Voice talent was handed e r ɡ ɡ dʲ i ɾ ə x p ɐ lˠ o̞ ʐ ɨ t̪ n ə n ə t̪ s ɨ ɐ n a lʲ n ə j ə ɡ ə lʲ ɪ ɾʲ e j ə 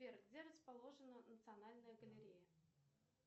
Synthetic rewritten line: e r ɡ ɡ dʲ e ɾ ə s p ɐ lˠ o̞ ʐ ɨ n ə n ə t̪ s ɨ ɐ n a lʲ n ə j ə ɡ ə lʲ ɪ ɾʲ e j ə